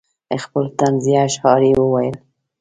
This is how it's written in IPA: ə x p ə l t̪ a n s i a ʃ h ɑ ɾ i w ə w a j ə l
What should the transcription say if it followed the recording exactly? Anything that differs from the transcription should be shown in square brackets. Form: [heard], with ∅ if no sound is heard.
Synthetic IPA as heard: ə x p ə l t̪ a n [z] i a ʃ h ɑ ɾ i w ə w a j ə l

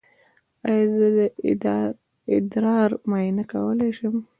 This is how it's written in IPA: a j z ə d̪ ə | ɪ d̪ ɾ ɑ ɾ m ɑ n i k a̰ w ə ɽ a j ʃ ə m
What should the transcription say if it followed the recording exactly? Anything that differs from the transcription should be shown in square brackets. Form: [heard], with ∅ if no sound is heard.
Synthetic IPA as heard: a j z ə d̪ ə | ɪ d̪ ɾ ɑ ɾ m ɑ n [a] k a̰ w ə [l] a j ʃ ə m

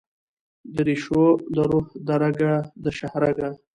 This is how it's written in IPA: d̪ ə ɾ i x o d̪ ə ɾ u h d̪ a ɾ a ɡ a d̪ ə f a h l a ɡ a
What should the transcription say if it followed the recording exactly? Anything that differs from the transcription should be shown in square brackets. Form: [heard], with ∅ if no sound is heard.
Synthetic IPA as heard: d̪ ə ɾ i [ʃ] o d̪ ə ɾ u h d̪ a ɾ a ɡ a d̪ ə [ʃ] a h [ɾ] a ɡ a

